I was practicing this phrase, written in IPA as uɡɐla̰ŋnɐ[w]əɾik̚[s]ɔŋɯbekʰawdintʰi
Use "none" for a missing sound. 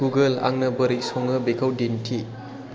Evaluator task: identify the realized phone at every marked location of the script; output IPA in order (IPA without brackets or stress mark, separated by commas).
b, s